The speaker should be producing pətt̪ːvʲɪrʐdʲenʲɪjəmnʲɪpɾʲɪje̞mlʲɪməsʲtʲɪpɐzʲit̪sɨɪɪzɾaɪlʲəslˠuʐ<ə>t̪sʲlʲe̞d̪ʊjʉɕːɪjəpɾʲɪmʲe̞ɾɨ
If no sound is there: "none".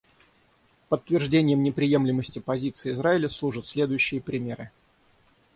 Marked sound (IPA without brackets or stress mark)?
ə